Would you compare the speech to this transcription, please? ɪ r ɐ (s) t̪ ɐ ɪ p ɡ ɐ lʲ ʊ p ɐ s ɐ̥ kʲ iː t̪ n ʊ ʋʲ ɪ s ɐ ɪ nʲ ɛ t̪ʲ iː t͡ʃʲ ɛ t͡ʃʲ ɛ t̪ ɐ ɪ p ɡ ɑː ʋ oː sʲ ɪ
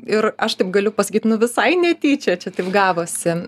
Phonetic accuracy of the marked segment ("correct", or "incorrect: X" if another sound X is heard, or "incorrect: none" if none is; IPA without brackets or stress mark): incorrect: ʃ